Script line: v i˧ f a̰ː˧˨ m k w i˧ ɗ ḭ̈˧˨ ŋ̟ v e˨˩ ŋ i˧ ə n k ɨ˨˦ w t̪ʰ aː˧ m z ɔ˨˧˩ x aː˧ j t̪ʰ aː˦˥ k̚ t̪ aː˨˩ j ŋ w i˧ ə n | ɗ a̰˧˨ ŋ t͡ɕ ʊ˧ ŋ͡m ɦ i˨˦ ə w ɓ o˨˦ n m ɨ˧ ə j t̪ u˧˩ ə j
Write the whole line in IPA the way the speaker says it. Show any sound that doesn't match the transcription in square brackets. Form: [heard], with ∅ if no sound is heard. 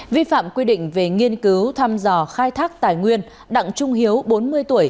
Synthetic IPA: v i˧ f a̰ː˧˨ m k w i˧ ɗ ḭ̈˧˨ ŋ̟ v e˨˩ ŋ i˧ ə n k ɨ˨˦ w t̪ʰ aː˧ m z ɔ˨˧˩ x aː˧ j t̪ʰ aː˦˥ k̚ t̪ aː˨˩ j ŋ w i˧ ə n | ɗ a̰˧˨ ŋ t͡ɕ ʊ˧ ŋ͡m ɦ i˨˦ ə w ɓ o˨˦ n m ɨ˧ ə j t̪ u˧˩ ə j